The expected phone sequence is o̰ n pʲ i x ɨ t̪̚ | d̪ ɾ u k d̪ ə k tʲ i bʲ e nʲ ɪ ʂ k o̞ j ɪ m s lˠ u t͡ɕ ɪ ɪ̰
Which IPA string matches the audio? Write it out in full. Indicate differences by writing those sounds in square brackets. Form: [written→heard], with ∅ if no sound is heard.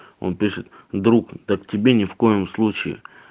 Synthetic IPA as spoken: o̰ n pʲ i [x→ʂ] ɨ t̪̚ | d̪ ɾ u k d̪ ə k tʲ [i→ɪ] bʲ e nʲ ɪ [ʂ→f] k o̞ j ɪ m s lˠ u t͡ɕ ɪ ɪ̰